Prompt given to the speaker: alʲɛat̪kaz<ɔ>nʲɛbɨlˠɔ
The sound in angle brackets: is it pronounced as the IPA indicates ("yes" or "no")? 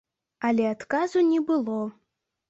no